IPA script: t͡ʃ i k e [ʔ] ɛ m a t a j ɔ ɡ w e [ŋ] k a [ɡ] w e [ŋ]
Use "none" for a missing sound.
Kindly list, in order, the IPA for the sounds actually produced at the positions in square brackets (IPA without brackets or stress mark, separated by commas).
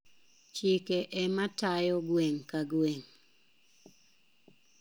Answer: ʔ, ŋ, ɡ, ŋ